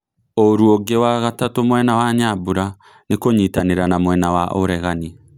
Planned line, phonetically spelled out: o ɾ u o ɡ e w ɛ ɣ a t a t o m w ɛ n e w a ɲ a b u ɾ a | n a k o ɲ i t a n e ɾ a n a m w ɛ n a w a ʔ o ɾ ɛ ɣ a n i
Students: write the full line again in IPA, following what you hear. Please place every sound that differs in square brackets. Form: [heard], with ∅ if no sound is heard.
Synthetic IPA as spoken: o ɾ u o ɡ e w [a] ɣ a t a t o m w ɛ n [a] w a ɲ a b u ɾ a | n [e] k o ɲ i t a n e ɾ a n a m w ɛ n a w a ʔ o ɾ ɛ ɣ a n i